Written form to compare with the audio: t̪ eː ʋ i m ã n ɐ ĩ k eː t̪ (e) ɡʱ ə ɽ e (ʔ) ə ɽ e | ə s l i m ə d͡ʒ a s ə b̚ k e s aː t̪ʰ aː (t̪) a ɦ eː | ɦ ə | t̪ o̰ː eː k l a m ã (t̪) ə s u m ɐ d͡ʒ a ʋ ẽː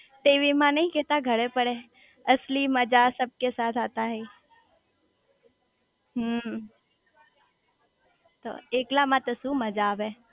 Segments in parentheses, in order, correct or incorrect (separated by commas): incorrect, incorrect, correct, correct